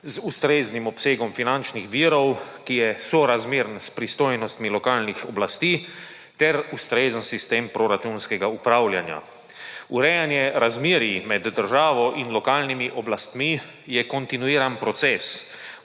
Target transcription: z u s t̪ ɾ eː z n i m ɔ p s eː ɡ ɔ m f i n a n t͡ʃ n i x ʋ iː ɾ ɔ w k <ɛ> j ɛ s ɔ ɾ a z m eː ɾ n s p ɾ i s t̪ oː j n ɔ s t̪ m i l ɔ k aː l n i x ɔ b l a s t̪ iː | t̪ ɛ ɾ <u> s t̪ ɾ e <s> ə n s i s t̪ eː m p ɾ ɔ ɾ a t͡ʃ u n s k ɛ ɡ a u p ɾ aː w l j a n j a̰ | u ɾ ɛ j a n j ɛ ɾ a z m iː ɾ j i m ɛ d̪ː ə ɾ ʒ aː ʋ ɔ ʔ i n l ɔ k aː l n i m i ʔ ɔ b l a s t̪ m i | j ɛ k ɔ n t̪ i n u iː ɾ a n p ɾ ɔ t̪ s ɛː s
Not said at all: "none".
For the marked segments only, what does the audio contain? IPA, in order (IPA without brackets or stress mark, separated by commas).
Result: i, u, z